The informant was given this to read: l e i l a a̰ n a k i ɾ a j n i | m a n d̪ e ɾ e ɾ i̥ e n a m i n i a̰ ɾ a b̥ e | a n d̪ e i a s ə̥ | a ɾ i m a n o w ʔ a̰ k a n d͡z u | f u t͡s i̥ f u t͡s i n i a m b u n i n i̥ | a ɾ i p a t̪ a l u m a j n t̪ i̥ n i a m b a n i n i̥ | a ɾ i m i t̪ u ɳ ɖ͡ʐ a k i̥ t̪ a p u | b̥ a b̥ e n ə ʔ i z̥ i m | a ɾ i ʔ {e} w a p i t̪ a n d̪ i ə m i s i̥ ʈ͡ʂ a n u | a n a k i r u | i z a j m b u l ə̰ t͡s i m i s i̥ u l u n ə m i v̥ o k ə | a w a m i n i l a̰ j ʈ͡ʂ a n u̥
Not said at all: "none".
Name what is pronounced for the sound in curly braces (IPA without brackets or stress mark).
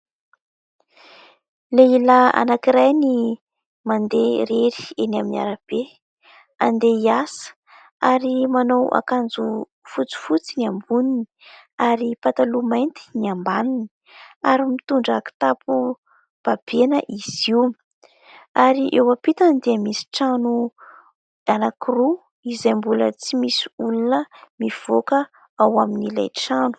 e